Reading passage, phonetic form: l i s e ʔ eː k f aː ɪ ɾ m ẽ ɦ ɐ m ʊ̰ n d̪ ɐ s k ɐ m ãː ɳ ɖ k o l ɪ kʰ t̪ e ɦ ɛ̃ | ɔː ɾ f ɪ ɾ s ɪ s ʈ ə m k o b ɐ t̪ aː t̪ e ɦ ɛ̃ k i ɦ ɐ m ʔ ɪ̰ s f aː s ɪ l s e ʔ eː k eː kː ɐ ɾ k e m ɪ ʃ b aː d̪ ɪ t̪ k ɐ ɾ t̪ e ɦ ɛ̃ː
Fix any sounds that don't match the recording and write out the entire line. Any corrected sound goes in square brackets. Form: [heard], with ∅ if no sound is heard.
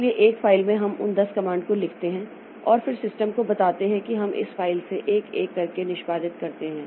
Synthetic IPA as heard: l i [∅] e ʔ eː k f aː ɪ [l] m ẽ ɦ ɐ m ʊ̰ n d̪ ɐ s k ɐ m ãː ɳ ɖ k o l ɪ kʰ t̪ e ɦ ɛ̃ | ɔː ɾ f ɪ ɾ s ɪ s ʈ ə m k o b ɐ t̪ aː t̪ e ɦ ɛ̃ k i ɦ ɐ m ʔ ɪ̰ s f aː [∅] ɪ l s e ʔ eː k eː kː ɐ ɾ k e [n] ɪ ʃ b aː d̪ ɪ t̪ k ɐ ɾ t̪ e ɦ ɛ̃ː

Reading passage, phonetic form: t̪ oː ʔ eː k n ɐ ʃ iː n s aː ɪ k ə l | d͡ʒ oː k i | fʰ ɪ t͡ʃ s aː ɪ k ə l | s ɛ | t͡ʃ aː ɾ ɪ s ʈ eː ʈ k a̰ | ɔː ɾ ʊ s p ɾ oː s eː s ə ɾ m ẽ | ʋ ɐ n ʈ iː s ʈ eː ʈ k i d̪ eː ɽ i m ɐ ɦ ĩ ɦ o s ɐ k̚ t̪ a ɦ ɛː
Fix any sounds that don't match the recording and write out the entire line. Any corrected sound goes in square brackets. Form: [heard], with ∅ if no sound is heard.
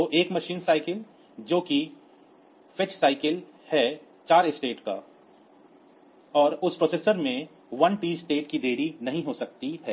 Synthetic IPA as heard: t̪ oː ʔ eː k [m] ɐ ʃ iː n s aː ɪ k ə l | d͡ʒ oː k i | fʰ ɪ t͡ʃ s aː ɪ k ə l | [h] ɛ | t͡ʃ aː ɾ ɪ s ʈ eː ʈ k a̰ | ɔː ɾ ʊ s p ɾ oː s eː s ə ɾ m ẽ | ʋ ɐ n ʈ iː s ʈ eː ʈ k i d̪ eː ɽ i [n] ɐ ɦ ĩ ɦ o s ɐ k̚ t̪ [i] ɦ ɛː

